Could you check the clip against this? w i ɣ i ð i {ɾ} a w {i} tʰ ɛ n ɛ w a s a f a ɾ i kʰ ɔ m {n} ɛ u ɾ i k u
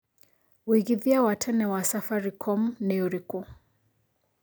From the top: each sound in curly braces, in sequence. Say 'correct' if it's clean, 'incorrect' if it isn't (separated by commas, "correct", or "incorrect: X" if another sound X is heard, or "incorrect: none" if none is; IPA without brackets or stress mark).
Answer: incorrect: none, incorrect: a, correct